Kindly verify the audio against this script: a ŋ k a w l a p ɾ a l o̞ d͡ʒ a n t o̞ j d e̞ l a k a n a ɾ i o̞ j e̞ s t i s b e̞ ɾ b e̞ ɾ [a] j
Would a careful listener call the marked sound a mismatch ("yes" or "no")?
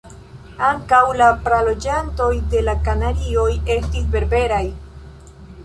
no